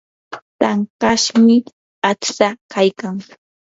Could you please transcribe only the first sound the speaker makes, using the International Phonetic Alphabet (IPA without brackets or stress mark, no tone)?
t̪